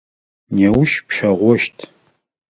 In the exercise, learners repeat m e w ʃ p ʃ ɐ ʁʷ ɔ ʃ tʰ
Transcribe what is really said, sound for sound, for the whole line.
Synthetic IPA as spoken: n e w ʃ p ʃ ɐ ʁʷ ɔ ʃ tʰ